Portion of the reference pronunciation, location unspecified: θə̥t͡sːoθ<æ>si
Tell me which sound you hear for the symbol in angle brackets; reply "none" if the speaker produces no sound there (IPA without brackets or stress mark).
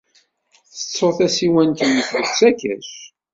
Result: æ